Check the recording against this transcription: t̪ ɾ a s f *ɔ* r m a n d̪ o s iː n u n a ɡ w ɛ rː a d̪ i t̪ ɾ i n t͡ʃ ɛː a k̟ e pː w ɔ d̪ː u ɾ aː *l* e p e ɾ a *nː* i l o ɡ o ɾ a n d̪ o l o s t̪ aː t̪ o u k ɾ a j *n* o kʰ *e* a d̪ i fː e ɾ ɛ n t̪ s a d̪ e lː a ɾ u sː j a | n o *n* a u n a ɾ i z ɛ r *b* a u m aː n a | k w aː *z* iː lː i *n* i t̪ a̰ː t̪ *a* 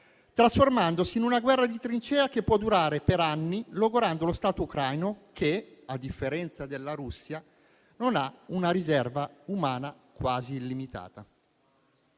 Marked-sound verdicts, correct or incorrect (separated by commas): incorrect, incorrect, correct, correct, correct, correct, incorrect, correct, incorrect, correct